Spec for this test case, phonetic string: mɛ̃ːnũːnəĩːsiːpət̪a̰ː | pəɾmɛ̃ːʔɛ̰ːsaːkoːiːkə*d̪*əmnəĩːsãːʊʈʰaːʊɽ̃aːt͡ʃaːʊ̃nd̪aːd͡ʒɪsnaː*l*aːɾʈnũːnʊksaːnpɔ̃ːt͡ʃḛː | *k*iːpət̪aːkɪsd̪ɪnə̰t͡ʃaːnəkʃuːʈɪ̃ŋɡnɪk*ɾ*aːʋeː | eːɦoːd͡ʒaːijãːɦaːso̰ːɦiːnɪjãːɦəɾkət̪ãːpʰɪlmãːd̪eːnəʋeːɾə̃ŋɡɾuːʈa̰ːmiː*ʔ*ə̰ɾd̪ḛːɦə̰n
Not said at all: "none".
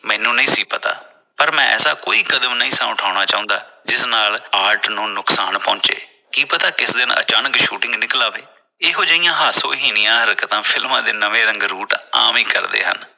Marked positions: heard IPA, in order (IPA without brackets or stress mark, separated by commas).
d̪, l, k, l, k